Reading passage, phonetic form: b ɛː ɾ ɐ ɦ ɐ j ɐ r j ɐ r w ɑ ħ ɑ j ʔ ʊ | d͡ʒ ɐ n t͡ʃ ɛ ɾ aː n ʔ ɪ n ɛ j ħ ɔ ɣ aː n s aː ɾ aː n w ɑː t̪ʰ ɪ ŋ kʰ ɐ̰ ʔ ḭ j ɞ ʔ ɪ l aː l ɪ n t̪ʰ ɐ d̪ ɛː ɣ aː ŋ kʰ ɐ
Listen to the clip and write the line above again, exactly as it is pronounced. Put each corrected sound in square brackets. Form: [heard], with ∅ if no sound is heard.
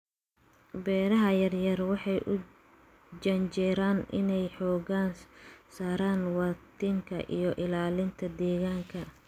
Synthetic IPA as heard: b ɛː ɾ ɐ ɦ ɐ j ɐ r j ɐ r w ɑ ħ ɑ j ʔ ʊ | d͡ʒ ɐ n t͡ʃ ɛ ɾ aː n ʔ ɪ n ɛ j ħ [ɔː] ɣ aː n s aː ɾ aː n w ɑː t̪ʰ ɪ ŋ kʰ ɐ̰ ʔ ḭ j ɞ ʔ ɪ l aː l ɪ n t̪ʰ ɐ d̪ ɛː ɣ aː ŋ kʰ ɐ